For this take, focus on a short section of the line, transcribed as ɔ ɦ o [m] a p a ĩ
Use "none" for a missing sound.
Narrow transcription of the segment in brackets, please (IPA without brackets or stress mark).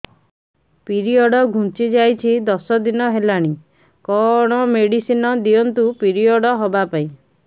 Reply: b